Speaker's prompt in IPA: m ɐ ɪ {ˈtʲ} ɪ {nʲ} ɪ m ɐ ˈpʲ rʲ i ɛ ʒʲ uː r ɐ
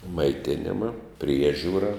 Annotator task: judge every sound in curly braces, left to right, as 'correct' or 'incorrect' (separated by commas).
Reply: correct, correct